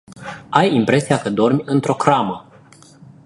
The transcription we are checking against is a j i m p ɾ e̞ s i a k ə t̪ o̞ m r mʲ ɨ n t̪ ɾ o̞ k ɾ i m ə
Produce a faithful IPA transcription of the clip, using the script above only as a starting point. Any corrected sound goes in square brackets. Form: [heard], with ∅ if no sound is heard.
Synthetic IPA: a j i m p ɾ e̞ s i a k ə [d̪] o̞ [∅] r mʲ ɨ n t̪ ɾ o̞ k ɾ [a] m ə